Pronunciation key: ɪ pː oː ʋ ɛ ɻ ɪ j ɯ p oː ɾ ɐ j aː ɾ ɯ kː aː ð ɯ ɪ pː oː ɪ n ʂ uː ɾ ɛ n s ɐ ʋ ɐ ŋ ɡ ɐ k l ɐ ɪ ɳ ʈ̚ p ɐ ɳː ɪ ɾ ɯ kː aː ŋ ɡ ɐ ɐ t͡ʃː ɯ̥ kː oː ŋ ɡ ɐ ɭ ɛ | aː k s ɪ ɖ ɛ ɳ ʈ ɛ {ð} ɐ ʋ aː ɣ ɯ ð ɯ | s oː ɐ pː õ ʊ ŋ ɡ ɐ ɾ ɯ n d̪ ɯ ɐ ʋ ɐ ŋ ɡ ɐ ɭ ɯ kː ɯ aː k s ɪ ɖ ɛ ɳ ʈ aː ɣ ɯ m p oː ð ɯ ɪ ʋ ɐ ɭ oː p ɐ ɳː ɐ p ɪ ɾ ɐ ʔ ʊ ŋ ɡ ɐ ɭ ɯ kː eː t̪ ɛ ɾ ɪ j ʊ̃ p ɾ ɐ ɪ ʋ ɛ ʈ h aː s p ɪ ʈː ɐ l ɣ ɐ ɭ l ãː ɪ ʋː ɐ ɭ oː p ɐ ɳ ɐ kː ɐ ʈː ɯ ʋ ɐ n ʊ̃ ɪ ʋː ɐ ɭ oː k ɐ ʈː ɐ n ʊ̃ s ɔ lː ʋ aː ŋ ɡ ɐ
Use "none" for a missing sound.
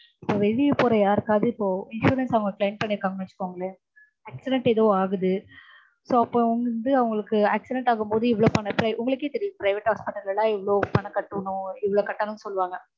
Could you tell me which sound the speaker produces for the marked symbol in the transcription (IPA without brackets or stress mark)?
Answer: ð